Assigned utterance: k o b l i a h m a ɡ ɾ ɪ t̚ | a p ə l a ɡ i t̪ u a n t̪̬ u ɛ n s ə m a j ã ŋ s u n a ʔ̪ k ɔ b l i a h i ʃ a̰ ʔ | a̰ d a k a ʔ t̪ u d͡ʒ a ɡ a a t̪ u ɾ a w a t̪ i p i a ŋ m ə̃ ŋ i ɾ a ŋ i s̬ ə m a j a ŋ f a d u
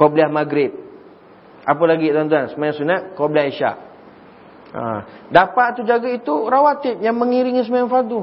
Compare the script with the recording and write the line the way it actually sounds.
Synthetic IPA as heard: k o b l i a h m a ɡ ɾ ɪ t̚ | a p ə l a ɡ i t̪ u a n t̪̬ u a n s ə m a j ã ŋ s u n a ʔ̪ k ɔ b l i a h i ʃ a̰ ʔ | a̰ d a p a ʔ t̪ u d͡ʒ a ɡ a i t̪ u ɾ a w a t̪ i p j a ŋ m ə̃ ŋ i ɾ i ŋ i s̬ ə m a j a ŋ f a d u